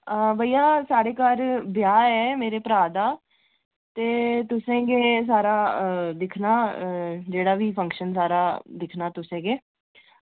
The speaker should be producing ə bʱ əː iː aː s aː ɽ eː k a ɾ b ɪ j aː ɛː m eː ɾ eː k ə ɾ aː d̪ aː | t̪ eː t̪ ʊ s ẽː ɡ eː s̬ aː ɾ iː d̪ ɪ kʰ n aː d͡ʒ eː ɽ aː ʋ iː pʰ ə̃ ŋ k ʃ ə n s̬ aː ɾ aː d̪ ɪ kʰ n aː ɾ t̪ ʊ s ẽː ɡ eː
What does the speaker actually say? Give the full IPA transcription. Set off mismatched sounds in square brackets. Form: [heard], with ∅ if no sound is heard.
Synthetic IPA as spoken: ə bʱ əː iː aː s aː ɽ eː k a ɾ b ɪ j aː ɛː m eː ɾ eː [p] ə ɾ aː d̪ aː | t̪ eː t̪ ʊ s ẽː ɡ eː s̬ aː ɾ [aː] d̪ ɪ kʰ n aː d͡ʒ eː ɽ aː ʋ iː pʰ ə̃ ŋ k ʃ ə n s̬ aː ɾ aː d̪ ɪ kʰ n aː [∅] t̪ ʊ s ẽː ɡ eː